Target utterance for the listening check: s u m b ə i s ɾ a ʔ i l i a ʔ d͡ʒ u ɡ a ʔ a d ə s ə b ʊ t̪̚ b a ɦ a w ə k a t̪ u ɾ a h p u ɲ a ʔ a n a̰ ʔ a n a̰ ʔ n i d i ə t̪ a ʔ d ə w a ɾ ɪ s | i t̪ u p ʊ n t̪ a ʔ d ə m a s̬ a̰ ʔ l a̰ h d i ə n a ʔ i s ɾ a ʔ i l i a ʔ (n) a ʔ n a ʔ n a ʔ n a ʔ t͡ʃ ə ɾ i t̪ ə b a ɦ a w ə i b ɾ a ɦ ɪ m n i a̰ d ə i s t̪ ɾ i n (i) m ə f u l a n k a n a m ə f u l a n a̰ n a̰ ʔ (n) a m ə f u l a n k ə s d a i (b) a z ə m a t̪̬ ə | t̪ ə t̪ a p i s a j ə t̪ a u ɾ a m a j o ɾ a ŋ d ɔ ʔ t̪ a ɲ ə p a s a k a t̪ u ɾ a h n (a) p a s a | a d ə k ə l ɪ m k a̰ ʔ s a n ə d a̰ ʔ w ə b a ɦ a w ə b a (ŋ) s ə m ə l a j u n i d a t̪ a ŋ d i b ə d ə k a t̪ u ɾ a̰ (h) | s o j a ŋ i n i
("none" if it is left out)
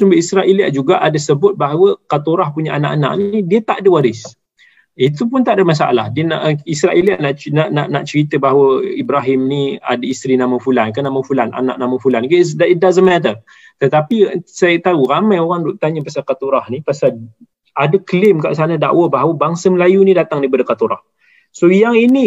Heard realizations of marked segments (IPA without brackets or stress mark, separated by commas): n, a, n, d, i, ŋ, h